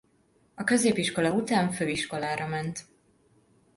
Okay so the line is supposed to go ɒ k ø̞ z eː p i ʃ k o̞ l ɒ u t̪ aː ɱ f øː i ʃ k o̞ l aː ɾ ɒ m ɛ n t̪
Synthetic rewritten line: ɒ k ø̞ z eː p i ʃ k o̞ l ɒ u t̪ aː ɱ f øː i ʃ k o̞ l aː ɾ ɒ m ɛ n t̪